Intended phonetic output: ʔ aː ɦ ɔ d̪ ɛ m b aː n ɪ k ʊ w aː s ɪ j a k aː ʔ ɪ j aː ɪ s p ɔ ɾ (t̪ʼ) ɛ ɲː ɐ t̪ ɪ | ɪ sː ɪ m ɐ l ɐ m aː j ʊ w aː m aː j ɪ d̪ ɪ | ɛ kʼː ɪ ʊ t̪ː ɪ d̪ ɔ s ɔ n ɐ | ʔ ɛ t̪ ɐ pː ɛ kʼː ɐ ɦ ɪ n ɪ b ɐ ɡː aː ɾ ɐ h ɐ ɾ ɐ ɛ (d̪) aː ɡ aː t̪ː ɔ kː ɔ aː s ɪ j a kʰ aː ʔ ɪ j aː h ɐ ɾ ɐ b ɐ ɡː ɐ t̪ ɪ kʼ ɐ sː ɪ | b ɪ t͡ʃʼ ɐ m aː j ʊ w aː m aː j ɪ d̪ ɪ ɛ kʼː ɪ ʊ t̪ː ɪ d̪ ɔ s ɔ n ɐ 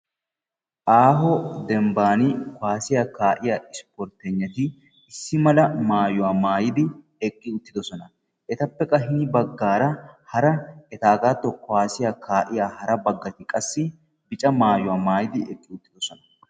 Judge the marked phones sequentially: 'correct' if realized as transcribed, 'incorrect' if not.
incorrect: t̪, incorrect: t̪

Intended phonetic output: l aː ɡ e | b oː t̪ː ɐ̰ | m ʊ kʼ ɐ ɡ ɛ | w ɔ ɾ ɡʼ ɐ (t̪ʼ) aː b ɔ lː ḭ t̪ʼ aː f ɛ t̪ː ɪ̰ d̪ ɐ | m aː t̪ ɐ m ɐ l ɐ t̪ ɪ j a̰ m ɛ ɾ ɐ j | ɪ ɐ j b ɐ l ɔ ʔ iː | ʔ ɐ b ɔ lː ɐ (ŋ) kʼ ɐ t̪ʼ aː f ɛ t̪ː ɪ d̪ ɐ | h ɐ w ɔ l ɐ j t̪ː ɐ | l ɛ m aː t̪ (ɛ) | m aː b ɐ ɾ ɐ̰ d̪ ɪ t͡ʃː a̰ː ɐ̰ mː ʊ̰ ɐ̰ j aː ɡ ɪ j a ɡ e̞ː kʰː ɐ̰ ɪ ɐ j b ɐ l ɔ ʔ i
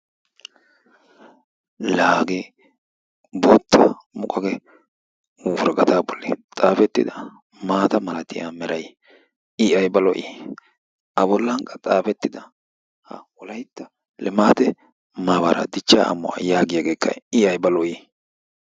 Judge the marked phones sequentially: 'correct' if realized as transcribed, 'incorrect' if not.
incorrect: t̪, correct, correct

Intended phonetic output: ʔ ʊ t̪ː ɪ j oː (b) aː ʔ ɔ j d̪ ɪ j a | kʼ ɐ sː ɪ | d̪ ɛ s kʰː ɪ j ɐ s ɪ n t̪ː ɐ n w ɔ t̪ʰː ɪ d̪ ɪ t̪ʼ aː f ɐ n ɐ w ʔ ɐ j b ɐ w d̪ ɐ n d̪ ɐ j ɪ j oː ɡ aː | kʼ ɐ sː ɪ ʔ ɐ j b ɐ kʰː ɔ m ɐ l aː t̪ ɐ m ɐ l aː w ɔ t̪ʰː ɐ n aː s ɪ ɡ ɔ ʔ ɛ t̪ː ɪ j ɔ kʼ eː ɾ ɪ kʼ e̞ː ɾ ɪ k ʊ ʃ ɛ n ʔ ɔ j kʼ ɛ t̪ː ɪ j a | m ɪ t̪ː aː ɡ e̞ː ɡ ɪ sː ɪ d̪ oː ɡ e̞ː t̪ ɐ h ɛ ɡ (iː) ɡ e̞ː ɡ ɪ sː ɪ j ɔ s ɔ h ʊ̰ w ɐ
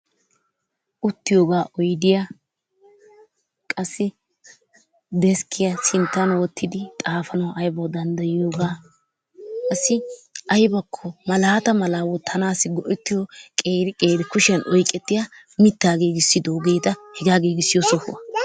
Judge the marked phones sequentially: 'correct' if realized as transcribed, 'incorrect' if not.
incorrect: ɡ, incorrect: aː

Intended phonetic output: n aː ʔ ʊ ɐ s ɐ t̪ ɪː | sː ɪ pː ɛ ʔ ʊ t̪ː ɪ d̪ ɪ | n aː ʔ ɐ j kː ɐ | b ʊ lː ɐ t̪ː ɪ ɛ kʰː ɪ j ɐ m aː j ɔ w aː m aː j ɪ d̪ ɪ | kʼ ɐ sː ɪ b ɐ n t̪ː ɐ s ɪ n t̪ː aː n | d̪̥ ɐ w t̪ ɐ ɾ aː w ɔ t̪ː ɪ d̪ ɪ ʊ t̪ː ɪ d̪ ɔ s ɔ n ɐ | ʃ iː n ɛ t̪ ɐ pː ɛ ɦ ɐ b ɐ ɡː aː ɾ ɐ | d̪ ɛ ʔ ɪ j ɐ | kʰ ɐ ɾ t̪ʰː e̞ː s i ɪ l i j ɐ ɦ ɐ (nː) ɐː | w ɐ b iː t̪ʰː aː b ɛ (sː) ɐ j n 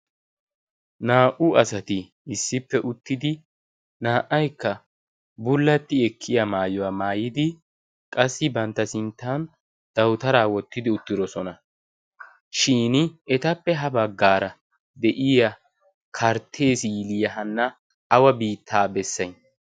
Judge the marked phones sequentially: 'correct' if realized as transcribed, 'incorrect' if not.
correct, correct

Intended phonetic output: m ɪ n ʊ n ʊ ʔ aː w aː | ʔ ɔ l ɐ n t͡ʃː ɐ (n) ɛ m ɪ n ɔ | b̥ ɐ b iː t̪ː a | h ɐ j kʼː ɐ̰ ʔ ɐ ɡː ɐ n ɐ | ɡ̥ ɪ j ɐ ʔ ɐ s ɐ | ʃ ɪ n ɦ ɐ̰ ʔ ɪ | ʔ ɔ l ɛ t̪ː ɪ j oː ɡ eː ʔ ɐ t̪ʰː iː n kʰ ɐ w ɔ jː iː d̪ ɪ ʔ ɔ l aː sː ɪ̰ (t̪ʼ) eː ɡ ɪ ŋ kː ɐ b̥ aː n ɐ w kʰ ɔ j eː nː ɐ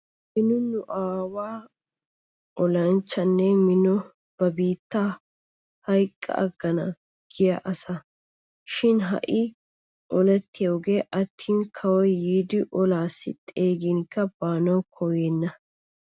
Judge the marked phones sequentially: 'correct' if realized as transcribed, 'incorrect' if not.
incorrect: nː, correct

